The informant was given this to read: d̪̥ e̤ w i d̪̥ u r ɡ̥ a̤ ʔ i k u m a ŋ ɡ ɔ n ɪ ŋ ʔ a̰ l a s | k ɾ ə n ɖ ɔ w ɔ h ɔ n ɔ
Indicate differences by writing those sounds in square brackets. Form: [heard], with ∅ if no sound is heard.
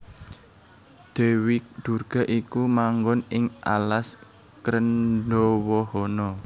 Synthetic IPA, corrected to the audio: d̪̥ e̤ w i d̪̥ u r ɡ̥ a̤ ʔ i k u m a ŋ ɡ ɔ n ɪ ŋ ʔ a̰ l a s | k ɾ ə n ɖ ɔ w ɔ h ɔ n ɔ